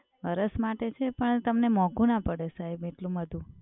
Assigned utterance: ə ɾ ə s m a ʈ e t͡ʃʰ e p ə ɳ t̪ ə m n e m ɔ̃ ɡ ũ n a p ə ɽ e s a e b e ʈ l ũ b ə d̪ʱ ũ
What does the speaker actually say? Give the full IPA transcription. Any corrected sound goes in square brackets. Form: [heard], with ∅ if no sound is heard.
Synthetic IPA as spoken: ə ɾ ə s m a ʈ e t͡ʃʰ e p ə ɳ t̪ ə m n e m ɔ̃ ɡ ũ n a p ə ɽ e s a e b e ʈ l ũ [m] ə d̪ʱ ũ